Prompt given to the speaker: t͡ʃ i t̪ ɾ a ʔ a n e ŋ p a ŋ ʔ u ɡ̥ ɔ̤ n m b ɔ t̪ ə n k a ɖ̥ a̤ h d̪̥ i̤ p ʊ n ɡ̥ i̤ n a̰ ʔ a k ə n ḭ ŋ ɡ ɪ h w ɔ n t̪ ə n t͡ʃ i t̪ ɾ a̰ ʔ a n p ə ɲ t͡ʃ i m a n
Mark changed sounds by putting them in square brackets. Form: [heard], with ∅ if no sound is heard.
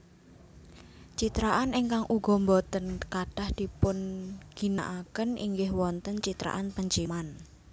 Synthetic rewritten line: t͡ʃ i t̪ ɾ a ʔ a n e ŋ [k] a ŋ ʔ u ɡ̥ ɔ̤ [∅] m b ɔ t̪ ə n k a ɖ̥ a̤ h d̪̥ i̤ p ʊ n ɡ̥ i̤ n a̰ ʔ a k ə n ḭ ŋ ɡ ɪ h w ɔ n t̪ ə n t͡ʃ i t̪ ɾ a̰ ʔ a n p ə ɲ t͡ʃ i m a n